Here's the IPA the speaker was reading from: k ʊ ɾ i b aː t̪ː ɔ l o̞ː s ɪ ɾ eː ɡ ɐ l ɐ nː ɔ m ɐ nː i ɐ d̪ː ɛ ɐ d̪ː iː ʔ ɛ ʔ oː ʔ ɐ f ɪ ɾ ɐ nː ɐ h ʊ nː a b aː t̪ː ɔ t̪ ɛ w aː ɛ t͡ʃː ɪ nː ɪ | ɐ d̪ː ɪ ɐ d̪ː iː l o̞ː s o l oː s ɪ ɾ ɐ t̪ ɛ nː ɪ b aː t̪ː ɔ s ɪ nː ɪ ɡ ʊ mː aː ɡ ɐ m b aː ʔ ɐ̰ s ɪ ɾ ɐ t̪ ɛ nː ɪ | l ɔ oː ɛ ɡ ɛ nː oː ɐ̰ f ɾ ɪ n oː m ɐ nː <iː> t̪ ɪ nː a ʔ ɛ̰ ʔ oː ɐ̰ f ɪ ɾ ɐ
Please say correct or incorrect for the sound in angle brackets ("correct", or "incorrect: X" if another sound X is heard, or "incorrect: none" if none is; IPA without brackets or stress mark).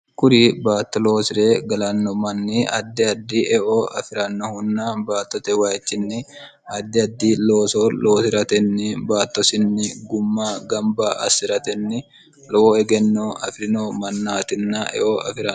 incorrect: aː